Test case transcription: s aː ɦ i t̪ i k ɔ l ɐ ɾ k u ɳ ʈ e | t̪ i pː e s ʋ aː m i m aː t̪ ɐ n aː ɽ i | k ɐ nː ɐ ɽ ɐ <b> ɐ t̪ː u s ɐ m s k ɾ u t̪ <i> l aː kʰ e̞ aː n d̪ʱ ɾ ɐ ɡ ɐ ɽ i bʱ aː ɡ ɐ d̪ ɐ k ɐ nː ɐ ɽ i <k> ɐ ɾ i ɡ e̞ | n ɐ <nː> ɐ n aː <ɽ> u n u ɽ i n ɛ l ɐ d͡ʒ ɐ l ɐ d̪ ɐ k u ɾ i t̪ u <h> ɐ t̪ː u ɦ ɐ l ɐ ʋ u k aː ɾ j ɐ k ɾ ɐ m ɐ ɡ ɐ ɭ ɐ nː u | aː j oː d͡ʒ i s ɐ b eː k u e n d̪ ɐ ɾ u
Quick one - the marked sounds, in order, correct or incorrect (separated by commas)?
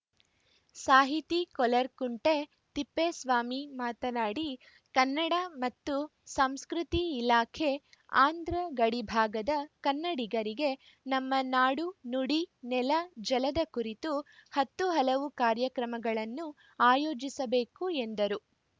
incorrect, incorrect, incorrect, incorrect, correct, correct